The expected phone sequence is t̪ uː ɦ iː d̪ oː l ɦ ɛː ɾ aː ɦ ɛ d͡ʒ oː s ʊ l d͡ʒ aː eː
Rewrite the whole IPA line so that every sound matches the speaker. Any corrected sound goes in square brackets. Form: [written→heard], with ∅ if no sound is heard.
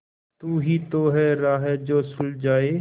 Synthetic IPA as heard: t̪ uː ɦ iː [d̪→t̪] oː [l→∅] ɦ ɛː ɾ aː ɦ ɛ d͡ʒ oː s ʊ l d͡ʒ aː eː